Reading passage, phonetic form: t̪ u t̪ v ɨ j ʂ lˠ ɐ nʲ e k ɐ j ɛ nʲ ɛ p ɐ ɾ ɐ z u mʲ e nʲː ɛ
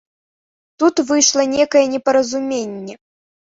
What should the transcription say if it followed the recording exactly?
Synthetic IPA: t̪ u t̪ v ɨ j ʂ lˠ ɐ nʲ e k ɐ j ɛ nʲ ɛ p ɐ ɾ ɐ z u mʲ e nʲː ɛ